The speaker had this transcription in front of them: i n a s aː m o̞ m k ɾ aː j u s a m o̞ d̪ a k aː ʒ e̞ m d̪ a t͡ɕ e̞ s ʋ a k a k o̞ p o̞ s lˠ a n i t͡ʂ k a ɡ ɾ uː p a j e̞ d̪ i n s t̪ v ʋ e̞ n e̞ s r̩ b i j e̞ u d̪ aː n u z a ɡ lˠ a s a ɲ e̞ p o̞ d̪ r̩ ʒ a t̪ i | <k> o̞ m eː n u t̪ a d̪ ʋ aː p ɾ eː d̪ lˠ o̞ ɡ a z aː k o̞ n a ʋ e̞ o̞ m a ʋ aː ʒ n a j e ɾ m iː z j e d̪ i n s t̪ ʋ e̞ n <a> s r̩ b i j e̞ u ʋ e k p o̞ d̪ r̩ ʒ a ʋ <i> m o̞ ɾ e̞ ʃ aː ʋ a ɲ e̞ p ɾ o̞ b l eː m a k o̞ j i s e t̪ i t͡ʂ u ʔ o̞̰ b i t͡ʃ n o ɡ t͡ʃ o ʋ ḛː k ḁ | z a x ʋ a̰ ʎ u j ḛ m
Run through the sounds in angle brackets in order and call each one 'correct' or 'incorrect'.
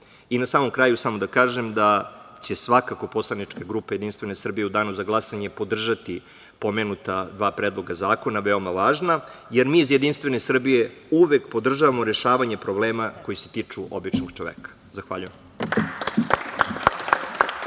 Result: incorrect: p, incorrect: e, incorrect: a

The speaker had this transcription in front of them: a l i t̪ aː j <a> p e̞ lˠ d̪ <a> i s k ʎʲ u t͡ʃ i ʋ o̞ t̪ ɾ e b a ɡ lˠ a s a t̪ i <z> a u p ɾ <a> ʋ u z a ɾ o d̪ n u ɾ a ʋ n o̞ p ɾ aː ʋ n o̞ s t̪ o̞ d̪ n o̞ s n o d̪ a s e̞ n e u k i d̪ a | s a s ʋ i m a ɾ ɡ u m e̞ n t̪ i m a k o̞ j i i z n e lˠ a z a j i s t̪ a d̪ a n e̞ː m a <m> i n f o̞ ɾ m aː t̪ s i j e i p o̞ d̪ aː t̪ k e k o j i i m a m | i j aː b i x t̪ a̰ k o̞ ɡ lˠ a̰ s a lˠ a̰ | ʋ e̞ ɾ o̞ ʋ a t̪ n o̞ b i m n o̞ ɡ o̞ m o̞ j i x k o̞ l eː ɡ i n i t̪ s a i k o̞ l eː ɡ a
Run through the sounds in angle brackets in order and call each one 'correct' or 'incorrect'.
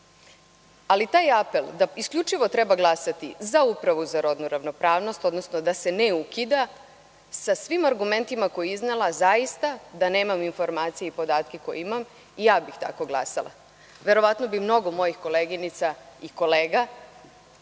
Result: correct, correct, correct, correct, correct

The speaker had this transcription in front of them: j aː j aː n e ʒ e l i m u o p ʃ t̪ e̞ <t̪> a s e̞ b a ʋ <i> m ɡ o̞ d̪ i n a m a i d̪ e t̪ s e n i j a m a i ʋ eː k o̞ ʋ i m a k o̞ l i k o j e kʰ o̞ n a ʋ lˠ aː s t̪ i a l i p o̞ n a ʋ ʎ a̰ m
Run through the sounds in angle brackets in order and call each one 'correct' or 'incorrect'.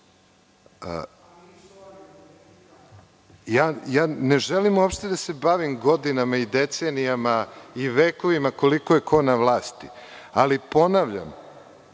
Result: incorrect: d̪, correct

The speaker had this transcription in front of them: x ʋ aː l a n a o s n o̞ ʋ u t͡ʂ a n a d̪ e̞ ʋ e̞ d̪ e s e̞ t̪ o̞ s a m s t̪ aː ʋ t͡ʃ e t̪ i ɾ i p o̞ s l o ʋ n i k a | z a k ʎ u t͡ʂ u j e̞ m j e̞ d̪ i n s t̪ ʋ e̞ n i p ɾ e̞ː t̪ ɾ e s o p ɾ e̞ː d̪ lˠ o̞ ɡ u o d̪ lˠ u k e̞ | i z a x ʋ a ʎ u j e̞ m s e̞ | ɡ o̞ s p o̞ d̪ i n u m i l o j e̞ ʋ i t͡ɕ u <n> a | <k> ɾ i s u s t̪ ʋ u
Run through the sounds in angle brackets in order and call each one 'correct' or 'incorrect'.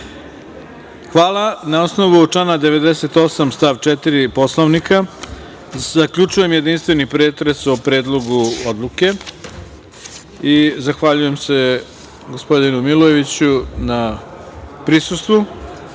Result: correct, incorrect: p

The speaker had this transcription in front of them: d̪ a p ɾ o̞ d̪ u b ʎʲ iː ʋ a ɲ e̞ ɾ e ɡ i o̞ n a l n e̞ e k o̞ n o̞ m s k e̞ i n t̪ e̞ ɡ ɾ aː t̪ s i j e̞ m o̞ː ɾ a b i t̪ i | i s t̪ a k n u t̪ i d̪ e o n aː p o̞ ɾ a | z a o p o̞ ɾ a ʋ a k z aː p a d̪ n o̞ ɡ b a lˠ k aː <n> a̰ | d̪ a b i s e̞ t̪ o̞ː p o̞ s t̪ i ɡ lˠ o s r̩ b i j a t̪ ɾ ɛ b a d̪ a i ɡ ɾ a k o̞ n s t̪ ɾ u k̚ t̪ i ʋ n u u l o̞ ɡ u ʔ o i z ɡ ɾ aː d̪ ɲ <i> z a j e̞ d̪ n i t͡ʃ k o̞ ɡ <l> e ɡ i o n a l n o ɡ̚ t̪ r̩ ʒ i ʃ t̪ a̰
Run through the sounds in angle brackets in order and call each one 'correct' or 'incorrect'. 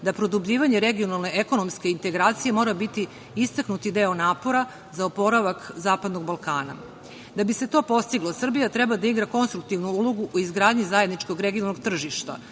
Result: correct, correct, incorrect: ɾ

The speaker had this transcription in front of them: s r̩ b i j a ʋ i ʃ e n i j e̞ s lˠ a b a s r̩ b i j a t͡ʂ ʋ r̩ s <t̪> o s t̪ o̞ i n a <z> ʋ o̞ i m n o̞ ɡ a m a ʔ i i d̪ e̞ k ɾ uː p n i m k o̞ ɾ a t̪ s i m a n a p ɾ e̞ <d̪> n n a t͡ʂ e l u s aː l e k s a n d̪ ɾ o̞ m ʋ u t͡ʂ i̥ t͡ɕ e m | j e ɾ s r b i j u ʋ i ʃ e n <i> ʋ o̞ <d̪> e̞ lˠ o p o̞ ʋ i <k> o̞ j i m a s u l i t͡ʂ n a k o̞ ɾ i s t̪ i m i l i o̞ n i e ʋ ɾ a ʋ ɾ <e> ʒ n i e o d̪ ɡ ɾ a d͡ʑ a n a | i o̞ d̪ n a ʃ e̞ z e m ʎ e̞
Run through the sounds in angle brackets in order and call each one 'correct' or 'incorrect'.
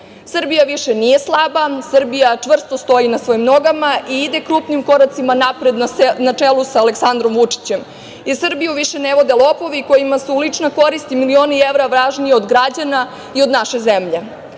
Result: correct, incorrect: s, correct, incorrect: e, correct, correct, incorrect: a

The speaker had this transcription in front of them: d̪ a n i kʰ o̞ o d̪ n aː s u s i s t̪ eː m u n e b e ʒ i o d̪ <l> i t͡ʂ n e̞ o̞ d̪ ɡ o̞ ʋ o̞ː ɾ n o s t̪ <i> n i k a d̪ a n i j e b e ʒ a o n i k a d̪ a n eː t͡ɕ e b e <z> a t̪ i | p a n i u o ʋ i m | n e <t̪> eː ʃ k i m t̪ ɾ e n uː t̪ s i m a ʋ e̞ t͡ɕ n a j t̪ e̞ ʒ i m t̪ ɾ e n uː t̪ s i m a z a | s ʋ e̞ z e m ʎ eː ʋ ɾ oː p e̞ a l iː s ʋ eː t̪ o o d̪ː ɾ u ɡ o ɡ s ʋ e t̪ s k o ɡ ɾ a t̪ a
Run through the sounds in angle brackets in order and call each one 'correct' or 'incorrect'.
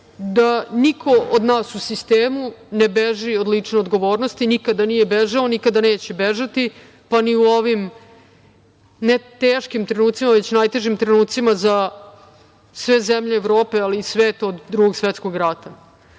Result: correct, correct, incorrect: ʒ, correct

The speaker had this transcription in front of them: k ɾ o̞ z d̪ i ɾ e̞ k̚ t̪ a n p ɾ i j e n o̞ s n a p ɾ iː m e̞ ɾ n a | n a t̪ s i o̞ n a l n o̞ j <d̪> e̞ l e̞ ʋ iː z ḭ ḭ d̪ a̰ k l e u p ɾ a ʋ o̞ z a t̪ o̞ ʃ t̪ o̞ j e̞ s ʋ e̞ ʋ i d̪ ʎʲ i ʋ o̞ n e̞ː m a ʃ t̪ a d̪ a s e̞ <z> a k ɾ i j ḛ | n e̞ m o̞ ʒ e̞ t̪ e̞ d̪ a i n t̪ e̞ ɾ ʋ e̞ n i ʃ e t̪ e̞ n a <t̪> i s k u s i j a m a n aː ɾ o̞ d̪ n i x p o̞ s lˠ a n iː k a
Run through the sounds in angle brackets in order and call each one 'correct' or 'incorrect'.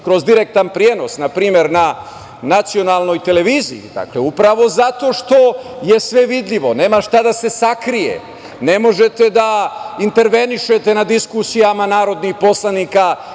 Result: incorrect: t̪, incorrect: s, incorrect: d̪

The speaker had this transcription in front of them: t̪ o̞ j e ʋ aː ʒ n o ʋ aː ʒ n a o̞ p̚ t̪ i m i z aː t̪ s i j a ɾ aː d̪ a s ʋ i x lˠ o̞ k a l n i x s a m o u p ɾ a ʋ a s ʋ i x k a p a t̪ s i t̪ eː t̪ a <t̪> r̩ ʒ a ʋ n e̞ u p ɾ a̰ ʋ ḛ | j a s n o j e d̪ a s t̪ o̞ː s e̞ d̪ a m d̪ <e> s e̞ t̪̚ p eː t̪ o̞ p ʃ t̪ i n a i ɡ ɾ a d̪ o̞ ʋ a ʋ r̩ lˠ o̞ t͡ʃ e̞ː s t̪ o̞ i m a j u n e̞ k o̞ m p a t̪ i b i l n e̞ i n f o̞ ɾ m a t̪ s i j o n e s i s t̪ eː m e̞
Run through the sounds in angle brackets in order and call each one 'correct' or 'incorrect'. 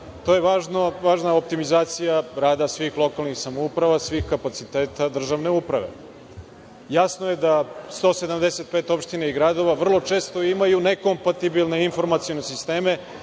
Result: incorrect: d̪, correct

